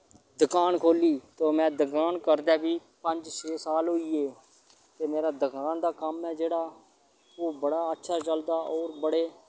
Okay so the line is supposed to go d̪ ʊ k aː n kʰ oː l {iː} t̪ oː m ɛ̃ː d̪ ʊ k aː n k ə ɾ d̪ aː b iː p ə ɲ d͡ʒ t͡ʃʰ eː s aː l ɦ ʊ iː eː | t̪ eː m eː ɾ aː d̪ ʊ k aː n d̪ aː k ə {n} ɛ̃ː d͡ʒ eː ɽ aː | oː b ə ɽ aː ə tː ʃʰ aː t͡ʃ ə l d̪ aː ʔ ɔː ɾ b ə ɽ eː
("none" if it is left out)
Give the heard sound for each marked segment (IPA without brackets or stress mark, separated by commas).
iː, m